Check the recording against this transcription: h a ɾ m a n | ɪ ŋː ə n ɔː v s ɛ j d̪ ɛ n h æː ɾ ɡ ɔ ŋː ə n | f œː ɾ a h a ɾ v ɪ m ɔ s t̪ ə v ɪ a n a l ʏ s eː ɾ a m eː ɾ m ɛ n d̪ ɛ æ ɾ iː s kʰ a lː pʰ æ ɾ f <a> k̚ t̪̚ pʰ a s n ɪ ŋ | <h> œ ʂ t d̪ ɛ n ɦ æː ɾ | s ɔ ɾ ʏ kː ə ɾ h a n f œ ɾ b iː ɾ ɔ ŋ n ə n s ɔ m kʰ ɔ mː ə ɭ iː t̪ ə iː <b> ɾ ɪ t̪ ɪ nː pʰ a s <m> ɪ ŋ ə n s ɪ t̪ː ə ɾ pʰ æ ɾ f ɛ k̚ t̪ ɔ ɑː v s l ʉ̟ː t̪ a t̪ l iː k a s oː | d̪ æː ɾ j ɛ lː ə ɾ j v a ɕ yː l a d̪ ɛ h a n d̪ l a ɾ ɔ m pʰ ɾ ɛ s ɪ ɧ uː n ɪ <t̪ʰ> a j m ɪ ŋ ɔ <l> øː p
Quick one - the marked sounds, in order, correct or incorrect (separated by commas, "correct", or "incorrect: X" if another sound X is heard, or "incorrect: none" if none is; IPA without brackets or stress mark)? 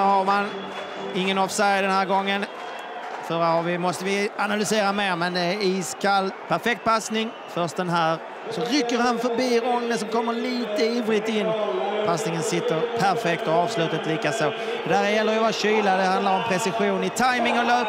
incorrect: ɛ, incorrect: f, incorrect: v, incorrect: n, correct, correct